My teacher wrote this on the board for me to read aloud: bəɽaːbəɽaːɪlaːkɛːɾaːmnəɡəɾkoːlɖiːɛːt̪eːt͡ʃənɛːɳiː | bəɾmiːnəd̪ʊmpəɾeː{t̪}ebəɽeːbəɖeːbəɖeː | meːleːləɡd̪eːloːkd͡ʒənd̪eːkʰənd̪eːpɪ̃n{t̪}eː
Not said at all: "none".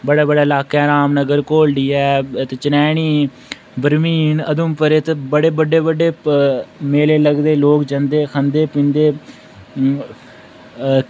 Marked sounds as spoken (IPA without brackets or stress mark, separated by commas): t̪, d̪